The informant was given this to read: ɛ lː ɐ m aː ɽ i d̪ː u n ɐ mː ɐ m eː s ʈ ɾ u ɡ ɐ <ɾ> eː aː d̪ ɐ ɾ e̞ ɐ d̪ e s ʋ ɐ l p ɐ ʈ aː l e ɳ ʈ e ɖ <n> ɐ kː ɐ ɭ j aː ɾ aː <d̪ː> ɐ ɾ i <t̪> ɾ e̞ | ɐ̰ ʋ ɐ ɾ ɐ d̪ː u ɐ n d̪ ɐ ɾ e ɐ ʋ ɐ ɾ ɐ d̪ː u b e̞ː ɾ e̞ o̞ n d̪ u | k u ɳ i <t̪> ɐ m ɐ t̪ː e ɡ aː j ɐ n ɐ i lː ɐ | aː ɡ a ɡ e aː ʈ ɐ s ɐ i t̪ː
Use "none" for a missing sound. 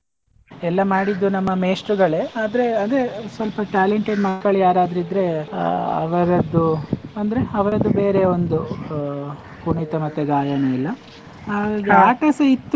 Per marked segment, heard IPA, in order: ɭ, m, d̪, d̪, t̪

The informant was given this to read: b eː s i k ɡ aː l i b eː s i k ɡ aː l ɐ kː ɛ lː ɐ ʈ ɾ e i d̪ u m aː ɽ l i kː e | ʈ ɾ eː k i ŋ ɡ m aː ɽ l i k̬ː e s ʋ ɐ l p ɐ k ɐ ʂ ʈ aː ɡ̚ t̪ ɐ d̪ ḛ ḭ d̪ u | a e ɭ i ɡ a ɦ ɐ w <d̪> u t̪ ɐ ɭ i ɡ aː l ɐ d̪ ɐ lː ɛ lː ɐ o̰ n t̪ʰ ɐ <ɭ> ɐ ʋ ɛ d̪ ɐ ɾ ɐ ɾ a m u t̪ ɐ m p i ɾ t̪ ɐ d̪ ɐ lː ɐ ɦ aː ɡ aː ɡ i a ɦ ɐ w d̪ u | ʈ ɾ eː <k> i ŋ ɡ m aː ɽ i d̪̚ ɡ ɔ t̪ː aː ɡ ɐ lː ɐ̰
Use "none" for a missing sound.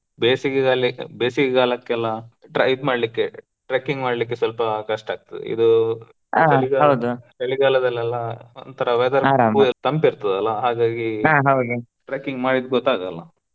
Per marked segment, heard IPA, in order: d̪, ɾ, k

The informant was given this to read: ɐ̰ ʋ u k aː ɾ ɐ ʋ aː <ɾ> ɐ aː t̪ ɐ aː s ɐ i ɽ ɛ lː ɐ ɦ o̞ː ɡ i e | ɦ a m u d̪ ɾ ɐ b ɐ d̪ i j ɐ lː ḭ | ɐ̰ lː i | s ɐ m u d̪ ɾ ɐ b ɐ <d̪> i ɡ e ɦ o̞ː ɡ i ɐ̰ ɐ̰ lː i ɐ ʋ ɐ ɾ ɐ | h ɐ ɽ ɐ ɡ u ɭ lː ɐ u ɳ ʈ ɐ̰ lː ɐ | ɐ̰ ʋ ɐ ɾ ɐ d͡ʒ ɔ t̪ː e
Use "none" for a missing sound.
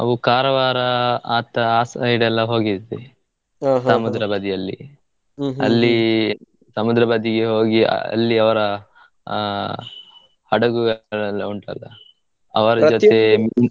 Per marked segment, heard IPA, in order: ɾ, d̪

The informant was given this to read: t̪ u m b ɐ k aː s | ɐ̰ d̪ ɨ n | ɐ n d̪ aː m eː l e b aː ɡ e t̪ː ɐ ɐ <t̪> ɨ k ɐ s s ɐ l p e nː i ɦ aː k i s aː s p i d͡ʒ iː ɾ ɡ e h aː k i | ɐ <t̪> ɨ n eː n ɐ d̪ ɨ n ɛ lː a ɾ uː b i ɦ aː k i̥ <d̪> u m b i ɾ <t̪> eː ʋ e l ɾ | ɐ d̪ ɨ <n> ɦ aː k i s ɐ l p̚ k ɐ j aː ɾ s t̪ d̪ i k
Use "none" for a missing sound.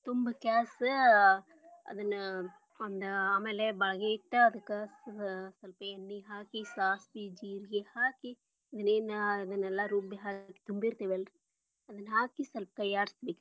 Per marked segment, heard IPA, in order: d̪, d̪, t̪, t̪, n

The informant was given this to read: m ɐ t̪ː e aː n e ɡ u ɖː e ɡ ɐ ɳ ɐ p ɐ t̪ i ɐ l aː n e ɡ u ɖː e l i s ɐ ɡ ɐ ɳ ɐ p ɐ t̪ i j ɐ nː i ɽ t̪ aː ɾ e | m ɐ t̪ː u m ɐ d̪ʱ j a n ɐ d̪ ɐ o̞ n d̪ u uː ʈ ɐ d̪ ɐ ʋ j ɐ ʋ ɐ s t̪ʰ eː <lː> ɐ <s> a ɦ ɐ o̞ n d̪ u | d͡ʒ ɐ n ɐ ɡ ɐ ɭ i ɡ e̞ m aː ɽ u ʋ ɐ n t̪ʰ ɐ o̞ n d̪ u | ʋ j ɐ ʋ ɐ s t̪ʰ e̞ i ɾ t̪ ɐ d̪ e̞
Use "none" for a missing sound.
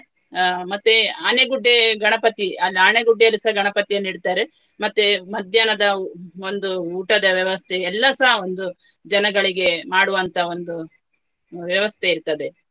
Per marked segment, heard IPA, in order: lː, s

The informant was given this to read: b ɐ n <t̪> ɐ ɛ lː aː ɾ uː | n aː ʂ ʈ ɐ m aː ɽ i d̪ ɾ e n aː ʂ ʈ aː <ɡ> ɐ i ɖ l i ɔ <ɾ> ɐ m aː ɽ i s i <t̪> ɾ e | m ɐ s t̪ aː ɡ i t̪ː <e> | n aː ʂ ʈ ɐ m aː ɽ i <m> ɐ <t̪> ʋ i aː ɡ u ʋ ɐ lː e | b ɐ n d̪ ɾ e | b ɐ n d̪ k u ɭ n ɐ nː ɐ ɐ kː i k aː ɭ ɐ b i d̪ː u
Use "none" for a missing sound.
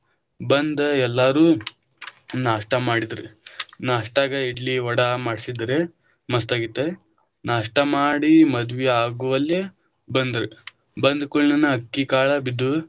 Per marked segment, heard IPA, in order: d̪, ɡ, ɽ, d̪, e, m, d̪

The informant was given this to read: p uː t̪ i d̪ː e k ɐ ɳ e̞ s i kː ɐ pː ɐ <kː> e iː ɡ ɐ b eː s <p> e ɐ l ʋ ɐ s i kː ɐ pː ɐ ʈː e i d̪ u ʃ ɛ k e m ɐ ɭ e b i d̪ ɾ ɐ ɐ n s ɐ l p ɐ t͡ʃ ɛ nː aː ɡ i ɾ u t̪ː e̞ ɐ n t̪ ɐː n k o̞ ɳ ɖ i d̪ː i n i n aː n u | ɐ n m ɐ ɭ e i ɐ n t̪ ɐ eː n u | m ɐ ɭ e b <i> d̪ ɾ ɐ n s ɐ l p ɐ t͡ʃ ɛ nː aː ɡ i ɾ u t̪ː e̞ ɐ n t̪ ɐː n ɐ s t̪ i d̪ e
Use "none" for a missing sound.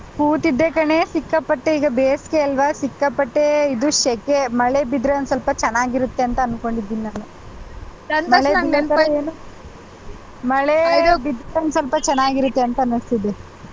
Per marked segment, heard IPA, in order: ʈː, k, i

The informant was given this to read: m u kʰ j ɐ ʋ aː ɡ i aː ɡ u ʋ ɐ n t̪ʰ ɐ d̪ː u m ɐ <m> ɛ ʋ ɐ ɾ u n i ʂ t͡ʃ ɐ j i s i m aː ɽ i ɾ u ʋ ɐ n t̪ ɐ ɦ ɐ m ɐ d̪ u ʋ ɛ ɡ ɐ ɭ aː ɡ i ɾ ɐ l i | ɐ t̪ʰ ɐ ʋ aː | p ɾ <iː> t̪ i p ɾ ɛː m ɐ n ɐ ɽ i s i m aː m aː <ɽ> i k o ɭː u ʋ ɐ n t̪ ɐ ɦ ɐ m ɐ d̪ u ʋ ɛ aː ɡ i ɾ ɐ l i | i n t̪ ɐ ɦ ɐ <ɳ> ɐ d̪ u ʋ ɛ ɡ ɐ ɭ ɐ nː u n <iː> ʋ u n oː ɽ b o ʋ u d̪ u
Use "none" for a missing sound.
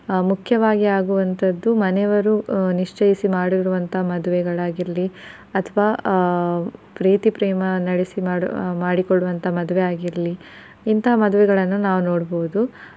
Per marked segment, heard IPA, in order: n, iː, ɽ, m, aː

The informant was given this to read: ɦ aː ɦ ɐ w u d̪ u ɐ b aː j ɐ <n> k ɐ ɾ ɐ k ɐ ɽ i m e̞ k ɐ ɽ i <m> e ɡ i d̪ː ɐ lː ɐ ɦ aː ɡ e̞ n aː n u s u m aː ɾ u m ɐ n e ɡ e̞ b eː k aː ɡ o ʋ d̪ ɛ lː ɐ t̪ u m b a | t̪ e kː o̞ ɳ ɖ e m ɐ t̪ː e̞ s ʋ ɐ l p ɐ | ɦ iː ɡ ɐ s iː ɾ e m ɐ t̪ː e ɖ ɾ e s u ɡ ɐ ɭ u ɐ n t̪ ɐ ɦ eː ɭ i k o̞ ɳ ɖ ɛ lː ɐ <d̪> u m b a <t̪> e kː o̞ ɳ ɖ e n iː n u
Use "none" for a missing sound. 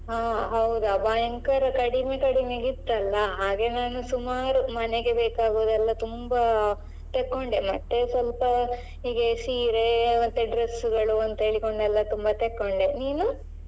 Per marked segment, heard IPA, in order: ŋ, m, t̪, t̪

